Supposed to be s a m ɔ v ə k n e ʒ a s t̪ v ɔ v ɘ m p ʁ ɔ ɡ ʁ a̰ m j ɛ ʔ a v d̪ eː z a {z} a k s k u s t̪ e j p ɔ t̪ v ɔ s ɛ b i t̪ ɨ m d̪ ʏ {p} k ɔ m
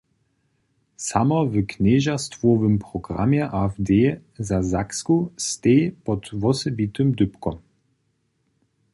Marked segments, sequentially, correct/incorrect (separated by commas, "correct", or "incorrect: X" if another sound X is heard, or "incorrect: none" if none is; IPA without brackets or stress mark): correct, correct